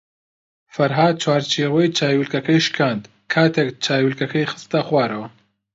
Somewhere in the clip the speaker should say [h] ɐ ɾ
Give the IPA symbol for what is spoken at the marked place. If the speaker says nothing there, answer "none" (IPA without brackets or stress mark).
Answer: f